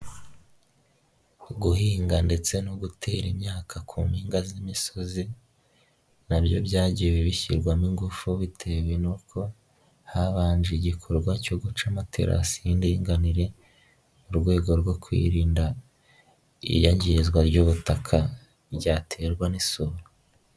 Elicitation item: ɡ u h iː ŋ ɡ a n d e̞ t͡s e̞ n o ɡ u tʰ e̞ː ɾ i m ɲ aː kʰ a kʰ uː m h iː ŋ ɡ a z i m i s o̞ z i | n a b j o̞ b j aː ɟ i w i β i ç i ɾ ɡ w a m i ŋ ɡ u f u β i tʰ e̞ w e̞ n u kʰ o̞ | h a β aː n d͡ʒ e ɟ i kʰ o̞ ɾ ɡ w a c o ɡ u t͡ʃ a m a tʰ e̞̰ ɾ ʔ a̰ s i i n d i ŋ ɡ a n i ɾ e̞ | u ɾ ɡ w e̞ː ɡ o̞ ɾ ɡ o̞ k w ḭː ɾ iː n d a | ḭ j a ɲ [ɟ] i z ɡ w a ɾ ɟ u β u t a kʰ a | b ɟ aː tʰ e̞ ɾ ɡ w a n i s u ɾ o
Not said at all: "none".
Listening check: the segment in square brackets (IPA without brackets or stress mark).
ɟ